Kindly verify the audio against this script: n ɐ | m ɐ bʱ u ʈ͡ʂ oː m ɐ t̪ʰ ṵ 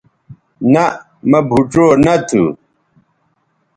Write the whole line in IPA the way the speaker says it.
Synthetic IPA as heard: n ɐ | m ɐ bʱ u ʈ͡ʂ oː n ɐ t̪ʰ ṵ